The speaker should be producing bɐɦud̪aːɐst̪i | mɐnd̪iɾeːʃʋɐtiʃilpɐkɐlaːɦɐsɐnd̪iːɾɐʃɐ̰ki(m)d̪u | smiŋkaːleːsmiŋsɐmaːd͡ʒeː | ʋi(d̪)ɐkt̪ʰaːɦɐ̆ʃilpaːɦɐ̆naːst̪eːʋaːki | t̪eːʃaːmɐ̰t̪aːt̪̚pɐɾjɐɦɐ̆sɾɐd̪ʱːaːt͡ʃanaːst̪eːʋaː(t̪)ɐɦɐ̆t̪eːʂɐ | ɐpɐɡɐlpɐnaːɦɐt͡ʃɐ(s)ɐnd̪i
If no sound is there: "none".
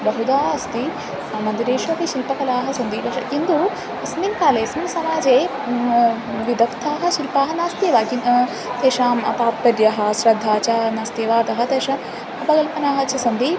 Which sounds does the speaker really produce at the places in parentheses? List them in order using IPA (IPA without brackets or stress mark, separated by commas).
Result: n, d̪, t̪, s